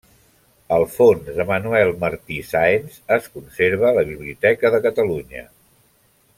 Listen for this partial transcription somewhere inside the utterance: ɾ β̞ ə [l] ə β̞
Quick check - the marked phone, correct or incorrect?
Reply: correct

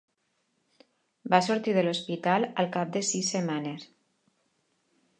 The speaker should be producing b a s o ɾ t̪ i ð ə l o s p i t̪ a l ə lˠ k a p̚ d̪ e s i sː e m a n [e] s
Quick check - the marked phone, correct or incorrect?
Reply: correct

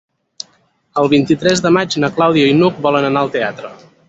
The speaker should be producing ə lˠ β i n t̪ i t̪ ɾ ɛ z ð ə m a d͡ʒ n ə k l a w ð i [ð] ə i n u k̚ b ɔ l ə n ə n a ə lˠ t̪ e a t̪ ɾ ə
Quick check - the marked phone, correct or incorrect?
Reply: incorrect: none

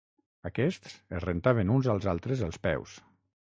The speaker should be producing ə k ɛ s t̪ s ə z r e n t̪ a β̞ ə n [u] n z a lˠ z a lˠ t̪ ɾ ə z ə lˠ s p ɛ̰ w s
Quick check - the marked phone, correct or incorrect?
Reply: correct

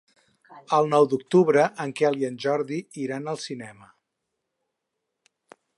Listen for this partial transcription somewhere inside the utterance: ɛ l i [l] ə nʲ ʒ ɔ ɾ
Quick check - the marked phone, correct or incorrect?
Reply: incorrect: none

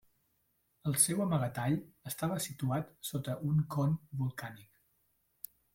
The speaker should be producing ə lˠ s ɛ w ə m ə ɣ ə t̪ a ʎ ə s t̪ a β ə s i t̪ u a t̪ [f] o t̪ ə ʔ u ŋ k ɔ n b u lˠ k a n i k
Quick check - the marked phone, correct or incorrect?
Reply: incorrect: s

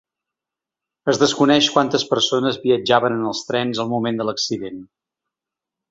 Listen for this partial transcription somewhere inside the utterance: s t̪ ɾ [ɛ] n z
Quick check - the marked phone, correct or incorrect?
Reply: correct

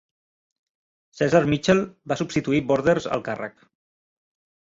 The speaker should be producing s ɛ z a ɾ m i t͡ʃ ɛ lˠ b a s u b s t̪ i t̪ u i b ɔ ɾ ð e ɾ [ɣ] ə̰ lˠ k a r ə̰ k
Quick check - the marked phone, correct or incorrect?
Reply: incorrect: z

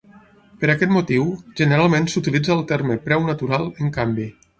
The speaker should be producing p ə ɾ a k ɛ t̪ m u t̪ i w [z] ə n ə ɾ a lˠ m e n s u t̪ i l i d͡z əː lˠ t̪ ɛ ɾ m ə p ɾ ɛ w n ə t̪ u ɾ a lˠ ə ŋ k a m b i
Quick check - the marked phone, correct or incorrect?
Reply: incorrect: ʒ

